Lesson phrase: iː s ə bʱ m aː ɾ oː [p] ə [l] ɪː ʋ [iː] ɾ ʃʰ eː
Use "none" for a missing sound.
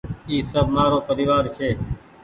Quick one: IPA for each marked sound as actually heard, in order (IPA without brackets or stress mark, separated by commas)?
p, ɾ, aː